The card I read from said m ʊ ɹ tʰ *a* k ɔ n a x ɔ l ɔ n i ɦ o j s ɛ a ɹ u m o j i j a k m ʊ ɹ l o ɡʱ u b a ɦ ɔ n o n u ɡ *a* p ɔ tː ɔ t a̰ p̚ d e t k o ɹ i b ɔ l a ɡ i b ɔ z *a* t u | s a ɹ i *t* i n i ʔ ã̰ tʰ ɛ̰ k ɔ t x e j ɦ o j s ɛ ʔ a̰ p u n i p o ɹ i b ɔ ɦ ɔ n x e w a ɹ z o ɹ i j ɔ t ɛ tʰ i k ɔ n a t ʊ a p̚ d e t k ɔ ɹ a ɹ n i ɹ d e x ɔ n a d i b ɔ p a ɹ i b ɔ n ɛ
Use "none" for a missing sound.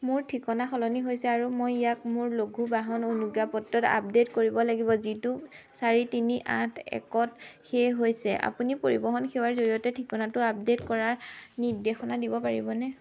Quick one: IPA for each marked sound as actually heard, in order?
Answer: i, a, i, t

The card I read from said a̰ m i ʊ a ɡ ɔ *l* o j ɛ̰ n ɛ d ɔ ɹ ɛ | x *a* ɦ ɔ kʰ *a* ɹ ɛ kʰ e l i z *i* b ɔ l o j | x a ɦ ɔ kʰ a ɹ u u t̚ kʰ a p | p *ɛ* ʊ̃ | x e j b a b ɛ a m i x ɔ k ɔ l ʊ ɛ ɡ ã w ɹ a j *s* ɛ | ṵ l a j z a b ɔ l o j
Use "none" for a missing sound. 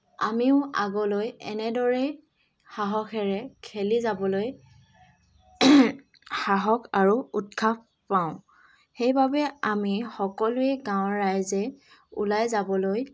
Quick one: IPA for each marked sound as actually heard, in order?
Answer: l, a, ɛ, a, a, z

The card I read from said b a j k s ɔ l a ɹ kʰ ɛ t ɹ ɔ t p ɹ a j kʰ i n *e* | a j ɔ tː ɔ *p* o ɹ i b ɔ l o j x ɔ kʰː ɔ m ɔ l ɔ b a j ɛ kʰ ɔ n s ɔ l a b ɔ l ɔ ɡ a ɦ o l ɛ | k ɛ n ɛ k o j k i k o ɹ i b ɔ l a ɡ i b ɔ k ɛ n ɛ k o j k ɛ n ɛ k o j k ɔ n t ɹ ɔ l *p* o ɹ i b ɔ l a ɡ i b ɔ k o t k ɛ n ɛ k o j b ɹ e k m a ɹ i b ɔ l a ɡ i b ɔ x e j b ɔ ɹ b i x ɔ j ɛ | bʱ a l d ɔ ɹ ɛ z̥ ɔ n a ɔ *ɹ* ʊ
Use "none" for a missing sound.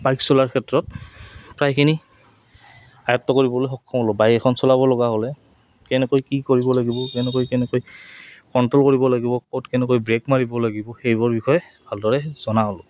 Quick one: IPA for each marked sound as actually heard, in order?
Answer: i, k, k, l

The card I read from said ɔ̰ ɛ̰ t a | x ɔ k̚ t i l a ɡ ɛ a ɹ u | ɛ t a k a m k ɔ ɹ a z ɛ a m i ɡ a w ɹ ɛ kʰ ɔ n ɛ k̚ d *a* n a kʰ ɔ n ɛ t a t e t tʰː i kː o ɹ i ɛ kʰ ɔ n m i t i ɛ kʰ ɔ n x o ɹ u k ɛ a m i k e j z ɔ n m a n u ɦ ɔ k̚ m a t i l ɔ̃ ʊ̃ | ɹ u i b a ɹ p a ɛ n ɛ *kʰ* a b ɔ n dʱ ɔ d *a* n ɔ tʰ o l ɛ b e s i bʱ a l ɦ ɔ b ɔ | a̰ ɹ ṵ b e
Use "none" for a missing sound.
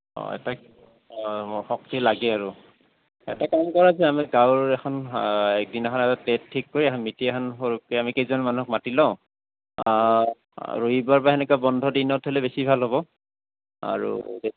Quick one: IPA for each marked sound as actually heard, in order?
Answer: i, k, i

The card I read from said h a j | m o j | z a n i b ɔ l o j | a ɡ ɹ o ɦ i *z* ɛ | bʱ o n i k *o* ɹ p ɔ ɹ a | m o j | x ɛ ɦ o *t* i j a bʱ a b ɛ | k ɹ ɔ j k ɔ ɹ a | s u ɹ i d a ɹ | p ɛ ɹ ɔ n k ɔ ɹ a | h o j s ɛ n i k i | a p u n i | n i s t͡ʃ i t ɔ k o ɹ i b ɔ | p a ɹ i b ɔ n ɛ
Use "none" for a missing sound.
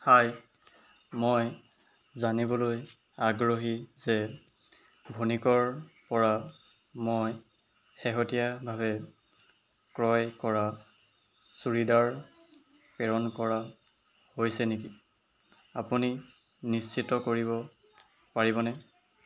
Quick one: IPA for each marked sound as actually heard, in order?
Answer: z, ɔ, t

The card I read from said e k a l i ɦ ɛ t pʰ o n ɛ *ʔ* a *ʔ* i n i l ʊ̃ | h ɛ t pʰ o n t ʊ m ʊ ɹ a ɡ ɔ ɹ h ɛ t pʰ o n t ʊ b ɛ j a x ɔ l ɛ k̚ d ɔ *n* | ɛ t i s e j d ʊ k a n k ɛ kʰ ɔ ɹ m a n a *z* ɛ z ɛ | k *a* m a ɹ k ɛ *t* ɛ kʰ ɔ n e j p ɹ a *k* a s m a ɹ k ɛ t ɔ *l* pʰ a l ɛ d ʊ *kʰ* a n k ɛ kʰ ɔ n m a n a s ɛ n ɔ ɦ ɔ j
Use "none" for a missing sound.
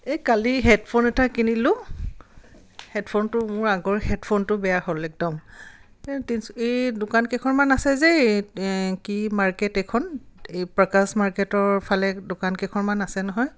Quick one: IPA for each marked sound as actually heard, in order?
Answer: t, k, m, s, i, t, k, ɹ, k

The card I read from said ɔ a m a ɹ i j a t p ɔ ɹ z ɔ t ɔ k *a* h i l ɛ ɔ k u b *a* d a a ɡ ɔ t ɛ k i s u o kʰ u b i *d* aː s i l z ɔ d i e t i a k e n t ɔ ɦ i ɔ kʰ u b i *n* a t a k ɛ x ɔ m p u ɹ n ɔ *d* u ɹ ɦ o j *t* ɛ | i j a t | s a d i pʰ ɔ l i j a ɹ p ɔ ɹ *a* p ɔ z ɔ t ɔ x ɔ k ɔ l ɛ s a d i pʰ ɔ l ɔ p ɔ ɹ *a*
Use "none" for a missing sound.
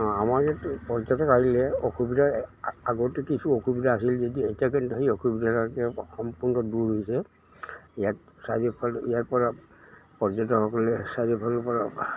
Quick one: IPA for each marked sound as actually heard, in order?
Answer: a, i, d, d, d, s, a, a

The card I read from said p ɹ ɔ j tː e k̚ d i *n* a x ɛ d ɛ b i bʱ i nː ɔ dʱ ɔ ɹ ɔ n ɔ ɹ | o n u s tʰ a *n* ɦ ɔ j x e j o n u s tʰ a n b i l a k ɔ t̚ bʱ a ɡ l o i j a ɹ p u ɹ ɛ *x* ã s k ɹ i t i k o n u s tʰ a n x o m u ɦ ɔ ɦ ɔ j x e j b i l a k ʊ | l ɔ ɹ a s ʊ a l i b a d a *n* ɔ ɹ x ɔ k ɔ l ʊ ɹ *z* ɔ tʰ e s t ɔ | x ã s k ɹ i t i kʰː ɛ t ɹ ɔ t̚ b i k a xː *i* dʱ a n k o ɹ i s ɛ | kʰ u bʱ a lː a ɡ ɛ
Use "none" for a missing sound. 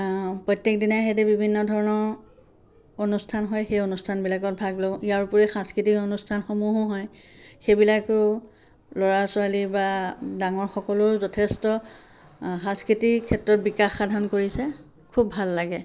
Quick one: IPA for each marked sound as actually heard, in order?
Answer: n, n, x, ŋ, z, a

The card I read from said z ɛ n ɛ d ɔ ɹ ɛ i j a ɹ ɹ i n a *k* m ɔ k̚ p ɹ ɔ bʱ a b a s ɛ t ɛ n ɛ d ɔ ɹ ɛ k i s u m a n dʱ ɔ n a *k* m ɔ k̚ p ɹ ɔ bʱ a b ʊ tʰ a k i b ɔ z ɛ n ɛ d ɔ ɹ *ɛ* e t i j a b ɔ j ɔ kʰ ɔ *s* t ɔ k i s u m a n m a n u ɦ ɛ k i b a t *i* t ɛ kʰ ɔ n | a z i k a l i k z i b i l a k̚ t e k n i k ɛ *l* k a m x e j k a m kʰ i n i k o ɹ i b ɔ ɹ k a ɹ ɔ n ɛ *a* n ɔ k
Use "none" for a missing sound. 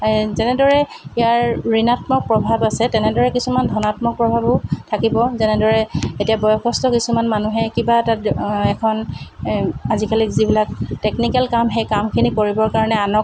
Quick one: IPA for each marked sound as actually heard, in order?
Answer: t, t, ɛ, s, a, l, a

